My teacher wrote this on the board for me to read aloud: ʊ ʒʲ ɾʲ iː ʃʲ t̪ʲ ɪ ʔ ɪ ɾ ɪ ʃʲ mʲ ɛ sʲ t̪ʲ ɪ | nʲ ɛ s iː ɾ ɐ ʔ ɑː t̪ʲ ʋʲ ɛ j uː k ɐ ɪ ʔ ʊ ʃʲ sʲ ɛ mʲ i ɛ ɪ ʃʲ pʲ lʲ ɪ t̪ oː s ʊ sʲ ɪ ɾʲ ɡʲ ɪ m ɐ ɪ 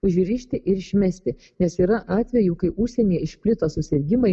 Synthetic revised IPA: ʊ ʒʲ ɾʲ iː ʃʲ t̪ʲ ɪ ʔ ɪ ɾ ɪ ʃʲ mʲ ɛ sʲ t̪ʲ ɪ | nʲ ɛ s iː ɾ ɐ ʔ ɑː t̪ʲ ʋʲ ɛ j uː k ɐ ɪ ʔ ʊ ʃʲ sʲ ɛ nʲ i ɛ ɪ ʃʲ pʲ lʲ ɪ t̪ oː s ʊ sʲ ɪ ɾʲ ɡʲ ɪ m ɐ ɪ

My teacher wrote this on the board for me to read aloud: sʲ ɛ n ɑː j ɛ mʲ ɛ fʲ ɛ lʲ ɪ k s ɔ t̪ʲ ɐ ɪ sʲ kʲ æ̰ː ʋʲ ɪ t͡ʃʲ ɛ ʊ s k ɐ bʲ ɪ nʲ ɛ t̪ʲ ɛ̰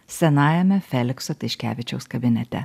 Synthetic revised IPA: sʲ ɛ n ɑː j ɛ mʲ ɛ fʲ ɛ lʲ ɪ k s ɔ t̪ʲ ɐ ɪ ʃʲ kʲ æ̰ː ʋʲ ɪ t͡ʃʲ ɛ ʊ s k ɐ bʲ ɪ nʲ ɛ t̪ʲ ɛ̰

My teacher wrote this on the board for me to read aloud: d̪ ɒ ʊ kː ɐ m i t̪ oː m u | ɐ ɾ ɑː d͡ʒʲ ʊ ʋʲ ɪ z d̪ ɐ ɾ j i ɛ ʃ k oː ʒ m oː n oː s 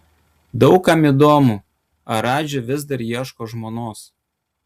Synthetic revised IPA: d̪ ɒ ʊ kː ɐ m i d̪ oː m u | ɐ ɾ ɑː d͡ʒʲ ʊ ʋʲ ɪ z d̪ ɐ ɾ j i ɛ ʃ k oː ʒ m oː n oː s

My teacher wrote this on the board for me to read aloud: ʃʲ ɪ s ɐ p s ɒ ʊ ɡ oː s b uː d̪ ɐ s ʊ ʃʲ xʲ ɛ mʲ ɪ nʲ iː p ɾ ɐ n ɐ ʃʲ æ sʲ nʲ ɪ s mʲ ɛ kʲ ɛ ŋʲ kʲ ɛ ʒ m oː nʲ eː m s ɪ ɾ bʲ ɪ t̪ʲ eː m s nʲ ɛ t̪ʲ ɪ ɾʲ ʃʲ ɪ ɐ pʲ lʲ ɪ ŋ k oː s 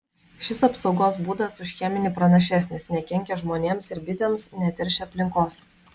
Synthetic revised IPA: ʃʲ ɪ s ɐ p s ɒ ʊ ɡ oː s b uː d̪ ɐ s ʊ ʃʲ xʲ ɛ mʲ ɪ nʲ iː p ɾ ɐ n ɐ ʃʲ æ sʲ nʲ ɪ s nʲ ɛ kʲ ɛ ŋʲ kʲ ɛ ʒ m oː nʲ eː m s ɪ ɾ bʲ ɪ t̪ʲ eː m s nʲ ɛ t̪ʲ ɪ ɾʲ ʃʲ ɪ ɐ pʲ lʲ ɪ ŋ k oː s

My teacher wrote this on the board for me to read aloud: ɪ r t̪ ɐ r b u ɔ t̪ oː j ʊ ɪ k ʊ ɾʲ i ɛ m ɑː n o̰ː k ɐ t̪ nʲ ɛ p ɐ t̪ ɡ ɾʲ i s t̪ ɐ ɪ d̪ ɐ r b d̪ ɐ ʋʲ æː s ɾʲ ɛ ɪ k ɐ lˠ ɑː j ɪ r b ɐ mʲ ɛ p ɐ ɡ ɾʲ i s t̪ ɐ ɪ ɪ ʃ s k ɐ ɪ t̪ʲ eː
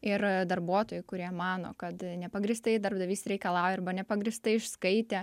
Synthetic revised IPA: ɪ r d̪ ɐ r b u ɔ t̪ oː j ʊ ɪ k ʊ ɾʲ i ɛ m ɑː n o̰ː k ɐ t̪ nʲ ɛ p ɐ ɡ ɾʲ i s t̪ ɐ ɪ d̪ ɐ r b d̪ ɐ ʋʲ iː s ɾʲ ɛ ɪ k ɐ lˠ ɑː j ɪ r b ɐ nʲ ɛ p ɐ ɡ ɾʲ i s t̪ ɐ ɪ ɪ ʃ s k ɐ ɪ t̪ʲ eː

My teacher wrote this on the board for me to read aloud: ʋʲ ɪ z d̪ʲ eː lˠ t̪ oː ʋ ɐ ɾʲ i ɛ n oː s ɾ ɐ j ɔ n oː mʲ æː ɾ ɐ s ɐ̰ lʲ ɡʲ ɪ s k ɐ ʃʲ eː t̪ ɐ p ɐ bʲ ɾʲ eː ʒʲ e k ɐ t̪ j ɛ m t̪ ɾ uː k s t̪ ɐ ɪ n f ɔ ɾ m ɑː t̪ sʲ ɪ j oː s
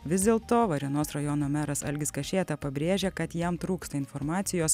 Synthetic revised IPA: ʋʲ ɪ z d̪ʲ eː lˠ t̪ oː ʋ ɐ ɾʲ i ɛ n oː s ɾ ɐ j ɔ n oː mʲ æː ɾ ɐ s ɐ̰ lʲ ɡʲ ɪ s k ɐ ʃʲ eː t̪ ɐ p ɐ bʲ ɾʲ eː ʒʲ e k ɐ t̪ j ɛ m t̪ ɾ uː k s t̪ ɐ ɪ n f ɔ ɾ m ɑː t̪ sʲ ɪ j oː s

